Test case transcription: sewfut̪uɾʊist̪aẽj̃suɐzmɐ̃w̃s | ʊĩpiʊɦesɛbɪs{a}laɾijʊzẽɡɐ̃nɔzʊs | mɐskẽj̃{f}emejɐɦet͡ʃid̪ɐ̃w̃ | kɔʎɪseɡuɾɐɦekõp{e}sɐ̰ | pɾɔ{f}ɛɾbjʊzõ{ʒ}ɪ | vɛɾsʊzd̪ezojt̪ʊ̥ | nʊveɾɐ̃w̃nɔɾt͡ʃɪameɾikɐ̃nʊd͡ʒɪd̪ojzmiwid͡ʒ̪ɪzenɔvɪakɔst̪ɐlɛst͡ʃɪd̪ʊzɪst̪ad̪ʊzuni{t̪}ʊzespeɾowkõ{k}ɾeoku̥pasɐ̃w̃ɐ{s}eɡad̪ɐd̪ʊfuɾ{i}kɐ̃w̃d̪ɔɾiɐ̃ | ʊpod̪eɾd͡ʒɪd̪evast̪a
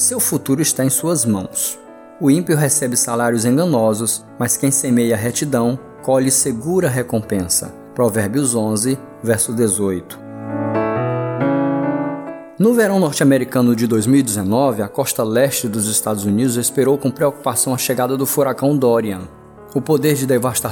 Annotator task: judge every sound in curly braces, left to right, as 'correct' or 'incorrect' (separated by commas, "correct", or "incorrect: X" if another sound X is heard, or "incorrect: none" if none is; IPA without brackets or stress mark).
correct, incorrect: s, incorrect: ẽ, incorrect: v, incorrect: z, incorrect: d̪, incorrect: p, incorrect: ʃ, incorrect: a